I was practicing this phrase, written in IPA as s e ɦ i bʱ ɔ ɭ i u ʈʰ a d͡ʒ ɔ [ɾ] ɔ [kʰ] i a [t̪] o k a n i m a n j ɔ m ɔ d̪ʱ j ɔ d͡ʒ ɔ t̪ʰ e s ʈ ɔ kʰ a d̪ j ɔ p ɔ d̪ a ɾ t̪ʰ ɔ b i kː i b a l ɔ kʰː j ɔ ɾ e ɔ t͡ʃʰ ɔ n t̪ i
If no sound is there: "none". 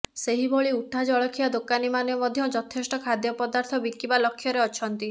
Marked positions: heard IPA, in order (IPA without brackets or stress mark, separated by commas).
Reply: ɭ, kʰ, d̪